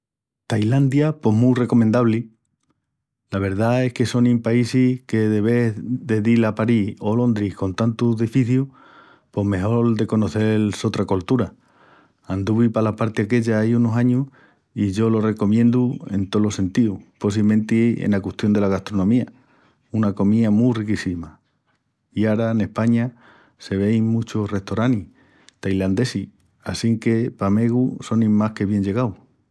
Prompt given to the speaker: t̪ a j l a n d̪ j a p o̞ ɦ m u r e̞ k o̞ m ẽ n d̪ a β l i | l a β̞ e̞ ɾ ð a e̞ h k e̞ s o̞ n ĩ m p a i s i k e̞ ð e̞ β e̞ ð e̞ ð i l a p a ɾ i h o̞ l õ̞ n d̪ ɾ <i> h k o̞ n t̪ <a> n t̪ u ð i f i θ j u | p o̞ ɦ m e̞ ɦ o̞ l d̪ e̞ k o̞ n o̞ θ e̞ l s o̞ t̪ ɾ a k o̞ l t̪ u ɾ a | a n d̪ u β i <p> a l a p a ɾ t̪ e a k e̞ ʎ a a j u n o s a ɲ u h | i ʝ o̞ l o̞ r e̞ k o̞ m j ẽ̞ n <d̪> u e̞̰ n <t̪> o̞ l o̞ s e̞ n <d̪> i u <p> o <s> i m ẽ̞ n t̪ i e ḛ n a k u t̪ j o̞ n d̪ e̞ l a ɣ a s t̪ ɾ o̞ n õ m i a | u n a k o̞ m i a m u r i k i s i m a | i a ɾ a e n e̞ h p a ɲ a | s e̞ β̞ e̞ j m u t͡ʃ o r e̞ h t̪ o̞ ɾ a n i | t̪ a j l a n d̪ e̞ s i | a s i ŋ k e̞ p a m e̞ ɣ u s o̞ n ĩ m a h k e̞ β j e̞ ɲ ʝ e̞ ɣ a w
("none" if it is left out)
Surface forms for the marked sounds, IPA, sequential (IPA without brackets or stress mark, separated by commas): i, a, p, d̪, t̪, t̪, p, s